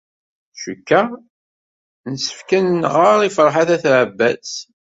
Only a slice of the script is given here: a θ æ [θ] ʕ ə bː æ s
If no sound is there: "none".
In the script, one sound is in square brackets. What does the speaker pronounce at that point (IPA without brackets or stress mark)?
θ